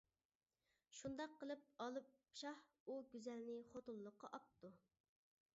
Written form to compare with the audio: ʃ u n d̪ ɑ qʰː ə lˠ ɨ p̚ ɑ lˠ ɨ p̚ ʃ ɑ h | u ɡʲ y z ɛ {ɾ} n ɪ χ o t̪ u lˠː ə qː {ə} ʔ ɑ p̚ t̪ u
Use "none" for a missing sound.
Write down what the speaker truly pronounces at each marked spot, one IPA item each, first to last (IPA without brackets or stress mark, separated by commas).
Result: l, ɑ